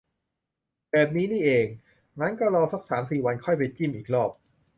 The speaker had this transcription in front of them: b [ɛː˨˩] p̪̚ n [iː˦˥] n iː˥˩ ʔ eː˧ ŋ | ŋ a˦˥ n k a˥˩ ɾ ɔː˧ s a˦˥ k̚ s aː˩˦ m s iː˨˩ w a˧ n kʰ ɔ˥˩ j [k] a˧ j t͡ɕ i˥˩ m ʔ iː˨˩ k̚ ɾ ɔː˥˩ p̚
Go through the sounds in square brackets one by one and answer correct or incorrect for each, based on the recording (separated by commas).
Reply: correct, correct, incorrect